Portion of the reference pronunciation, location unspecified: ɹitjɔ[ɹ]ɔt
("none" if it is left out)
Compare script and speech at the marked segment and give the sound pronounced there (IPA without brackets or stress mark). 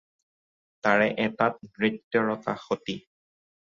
ɹ